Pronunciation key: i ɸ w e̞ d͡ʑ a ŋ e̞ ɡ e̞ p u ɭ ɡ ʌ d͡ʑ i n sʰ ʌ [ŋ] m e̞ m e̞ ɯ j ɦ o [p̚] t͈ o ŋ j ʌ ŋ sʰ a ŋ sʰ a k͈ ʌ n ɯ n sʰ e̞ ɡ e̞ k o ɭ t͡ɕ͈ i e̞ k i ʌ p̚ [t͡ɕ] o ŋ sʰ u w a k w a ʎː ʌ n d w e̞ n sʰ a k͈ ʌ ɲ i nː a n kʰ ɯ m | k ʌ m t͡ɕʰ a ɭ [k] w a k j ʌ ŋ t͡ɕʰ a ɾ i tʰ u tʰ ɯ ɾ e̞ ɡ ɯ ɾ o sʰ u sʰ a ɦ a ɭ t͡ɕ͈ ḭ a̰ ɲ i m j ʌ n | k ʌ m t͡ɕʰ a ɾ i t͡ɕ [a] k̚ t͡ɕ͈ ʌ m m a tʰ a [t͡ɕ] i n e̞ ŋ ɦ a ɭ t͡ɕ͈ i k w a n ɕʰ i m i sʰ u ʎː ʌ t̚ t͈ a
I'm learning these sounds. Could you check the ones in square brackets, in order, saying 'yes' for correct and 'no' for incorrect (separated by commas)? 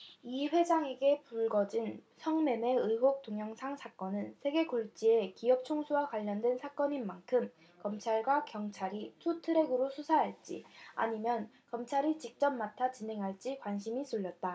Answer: yes, no, no, no, no, yes